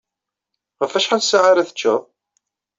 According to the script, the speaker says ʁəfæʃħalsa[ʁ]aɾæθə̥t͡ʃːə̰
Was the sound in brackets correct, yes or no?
no